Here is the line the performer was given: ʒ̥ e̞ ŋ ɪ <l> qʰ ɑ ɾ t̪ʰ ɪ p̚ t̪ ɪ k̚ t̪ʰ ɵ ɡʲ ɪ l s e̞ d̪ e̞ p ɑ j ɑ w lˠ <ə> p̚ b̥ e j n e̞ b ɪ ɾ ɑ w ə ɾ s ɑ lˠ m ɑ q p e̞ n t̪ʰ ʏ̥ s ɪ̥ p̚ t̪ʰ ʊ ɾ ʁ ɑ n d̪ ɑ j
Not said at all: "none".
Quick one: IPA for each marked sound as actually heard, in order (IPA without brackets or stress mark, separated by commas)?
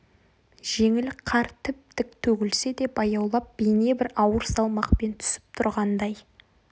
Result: l, ɑ